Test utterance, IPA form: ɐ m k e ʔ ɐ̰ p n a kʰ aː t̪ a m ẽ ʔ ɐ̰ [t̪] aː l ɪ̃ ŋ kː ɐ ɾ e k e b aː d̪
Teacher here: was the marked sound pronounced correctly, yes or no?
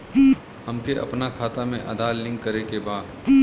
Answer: no